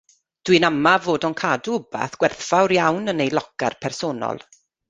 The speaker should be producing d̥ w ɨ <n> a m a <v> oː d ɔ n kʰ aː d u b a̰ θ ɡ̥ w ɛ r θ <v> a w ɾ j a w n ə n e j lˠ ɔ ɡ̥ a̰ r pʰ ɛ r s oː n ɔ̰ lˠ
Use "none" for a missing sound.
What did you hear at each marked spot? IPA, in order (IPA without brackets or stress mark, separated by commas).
n, v, f